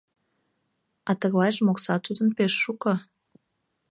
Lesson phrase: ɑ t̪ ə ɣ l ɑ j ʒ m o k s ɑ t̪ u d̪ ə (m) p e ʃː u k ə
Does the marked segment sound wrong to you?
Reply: yes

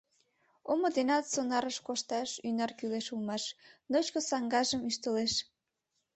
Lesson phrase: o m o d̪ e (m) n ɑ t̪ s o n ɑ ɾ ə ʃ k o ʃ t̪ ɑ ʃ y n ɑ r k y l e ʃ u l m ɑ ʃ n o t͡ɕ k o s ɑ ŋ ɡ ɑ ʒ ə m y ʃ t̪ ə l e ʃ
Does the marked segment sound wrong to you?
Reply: yes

